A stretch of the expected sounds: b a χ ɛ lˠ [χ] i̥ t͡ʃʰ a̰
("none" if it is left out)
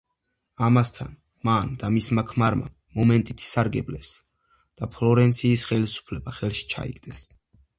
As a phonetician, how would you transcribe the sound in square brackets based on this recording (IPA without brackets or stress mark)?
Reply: ʃ